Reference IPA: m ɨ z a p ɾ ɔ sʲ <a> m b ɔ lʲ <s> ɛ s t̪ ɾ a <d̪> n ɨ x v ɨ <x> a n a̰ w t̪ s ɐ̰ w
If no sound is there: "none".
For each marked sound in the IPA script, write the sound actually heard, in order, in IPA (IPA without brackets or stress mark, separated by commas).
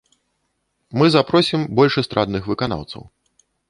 i, ʂ, d̪, k